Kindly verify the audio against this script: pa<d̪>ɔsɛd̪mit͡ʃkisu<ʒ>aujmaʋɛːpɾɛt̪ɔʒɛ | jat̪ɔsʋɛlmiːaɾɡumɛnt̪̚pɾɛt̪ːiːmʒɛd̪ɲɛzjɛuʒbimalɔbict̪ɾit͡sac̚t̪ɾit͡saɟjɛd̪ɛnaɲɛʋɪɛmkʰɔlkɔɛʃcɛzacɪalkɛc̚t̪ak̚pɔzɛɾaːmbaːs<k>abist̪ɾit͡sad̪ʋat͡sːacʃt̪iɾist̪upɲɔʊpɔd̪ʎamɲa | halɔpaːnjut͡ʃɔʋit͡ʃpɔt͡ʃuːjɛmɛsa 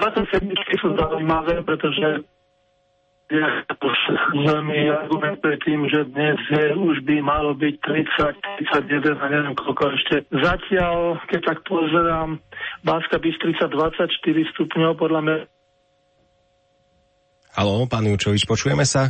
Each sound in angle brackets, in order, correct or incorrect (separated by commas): incorrect, incorrect, correct